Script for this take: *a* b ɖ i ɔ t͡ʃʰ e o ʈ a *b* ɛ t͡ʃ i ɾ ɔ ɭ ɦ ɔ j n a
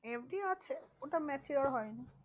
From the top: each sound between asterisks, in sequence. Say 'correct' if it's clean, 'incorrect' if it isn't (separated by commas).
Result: incorrect, incorrect